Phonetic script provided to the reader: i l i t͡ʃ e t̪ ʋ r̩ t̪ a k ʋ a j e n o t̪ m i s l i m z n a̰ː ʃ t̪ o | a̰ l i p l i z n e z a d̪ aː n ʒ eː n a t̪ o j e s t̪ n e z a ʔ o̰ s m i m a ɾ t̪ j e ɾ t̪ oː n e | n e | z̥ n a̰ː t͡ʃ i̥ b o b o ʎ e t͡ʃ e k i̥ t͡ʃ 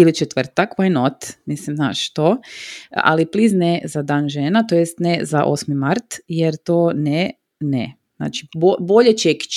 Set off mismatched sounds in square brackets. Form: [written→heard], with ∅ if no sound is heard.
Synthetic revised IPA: i l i t͡ʃ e t̪ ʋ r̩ t̪ a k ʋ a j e n o t̪ m i s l i m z n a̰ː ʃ t̪ o | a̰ l i p l i z n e z a d̪ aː n ʒ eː n a t̪ o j e s t̪ n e z a ʔ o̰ s m i m a ɾ t̪ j e ɾ t̪ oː n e | n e | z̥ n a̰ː t͡ʃ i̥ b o b o ʎ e t͡ʃ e k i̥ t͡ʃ